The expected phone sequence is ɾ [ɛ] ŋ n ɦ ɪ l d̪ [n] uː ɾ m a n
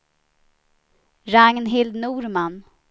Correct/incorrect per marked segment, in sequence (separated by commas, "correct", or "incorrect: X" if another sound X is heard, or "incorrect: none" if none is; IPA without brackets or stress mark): incorrect: a, correct